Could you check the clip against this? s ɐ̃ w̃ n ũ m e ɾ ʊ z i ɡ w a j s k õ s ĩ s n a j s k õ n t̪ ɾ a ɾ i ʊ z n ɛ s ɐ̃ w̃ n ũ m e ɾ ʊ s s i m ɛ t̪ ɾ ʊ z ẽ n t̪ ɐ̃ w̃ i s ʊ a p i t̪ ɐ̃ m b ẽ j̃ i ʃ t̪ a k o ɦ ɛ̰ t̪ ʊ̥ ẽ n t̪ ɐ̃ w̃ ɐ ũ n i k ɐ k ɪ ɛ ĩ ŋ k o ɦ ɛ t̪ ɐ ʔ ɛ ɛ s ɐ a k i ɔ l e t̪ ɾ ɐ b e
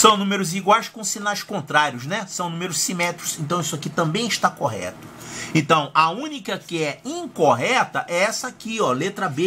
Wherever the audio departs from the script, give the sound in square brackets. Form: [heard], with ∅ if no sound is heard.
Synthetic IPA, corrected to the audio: s ɐ̃ w̃ n ũ m e ɾ ʊ z i ɡ w a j s k õ s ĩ [∅] n a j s k õ n t̪ ɾ a ɾ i ʊ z n ɛ s ɐ̃ w̃ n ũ m e ɾ ʊ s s i m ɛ t̪ ɾ ʊ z ẽ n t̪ ɐ̃ w̃ i s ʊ a [k] i t̪ ɐ̃ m b ẽ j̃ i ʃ t̪ a k o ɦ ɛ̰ t̪ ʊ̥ ẽ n t̪ ɐ̃ w̃ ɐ ũ n i k ɐ k ɪ ɛ ĩ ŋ k o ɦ ɛ t̪ ɐ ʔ ɛ ɛ s ɐ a k i ɔ l e t̪ ɾ ɐ b e